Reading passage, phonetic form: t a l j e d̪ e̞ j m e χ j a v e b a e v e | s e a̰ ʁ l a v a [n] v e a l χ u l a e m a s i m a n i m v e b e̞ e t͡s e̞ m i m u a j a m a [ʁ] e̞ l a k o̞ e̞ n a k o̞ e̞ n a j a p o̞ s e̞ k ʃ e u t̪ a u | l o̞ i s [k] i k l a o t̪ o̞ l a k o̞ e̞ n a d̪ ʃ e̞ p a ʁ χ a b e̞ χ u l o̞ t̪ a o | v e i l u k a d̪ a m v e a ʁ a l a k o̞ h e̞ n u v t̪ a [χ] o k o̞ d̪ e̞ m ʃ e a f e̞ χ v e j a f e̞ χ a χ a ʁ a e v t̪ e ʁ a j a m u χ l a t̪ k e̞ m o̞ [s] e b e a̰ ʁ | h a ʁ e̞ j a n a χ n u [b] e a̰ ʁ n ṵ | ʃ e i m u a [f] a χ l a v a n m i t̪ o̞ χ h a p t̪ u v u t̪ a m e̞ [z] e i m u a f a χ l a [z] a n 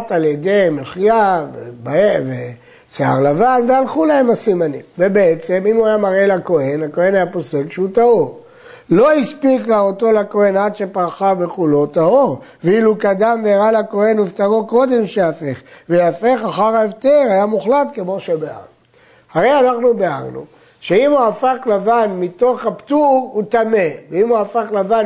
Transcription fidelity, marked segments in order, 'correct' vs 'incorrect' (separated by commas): correct, correct, incorrect, incorrect, incorrect, correct, correct, incorrect, incorrect